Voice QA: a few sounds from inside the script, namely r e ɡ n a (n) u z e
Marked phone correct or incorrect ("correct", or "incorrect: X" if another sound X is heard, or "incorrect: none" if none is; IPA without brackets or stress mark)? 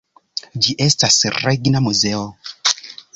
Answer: incorrect: m